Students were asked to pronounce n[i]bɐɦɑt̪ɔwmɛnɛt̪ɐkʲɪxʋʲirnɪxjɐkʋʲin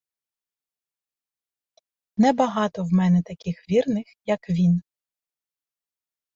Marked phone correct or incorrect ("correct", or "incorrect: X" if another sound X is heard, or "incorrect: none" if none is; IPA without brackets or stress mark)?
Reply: incorrect: ɛ